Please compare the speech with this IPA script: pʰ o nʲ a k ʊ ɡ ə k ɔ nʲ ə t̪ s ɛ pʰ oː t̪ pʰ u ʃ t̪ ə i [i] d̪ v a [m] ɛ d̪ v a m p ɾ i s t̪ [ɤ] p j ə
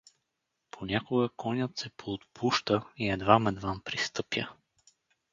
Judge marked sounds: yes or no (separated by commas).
no, yes, yes